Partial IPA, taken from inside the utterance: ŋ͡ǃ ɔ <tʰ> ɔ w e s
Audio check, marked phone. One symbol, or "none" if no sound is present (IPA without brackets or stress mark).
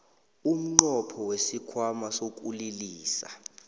pʰ